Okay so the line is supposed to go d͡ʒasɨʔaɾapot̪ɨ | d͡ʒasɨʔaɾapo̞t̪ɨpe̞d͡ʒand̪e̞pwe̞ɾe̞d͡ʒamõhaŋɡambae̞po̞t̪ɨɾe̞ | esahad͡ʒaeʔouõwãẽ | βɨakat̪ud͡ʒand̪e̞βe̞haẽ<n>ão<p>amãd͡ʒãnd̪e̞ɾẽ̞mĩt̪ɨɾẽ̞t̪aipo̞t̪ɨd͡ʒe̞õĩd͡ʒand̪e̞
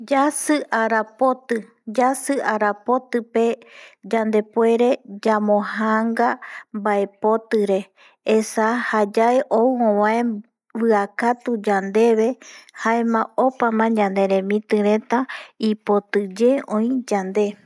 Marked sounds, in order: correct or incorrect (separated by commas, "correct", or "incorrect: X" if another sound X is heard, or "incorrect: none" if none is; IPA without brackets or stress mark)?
incorrect: m, correct